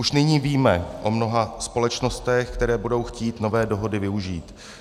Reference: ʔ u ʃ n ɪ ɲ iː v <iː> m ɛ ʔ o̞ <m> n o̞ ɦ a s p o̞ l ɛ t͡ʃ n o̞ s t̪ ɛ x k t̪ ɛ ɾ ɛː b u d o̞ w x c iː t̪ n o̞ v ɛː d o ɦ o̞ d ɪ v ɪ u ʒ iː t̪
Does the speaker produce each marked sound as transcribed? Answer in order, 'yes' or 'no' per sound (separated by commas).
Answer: yes, yes